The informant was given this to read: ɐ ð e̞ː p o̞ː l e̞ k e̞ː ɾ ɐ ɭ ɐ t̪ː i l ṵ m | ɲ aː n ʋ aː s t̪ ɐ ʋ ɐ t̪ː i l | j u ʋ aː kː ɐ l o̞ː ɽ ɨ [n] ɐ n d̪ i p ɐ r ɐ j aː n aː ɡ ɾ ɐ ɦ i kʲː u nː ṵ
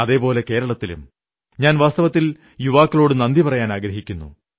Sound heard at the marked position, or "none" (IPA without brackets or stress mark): n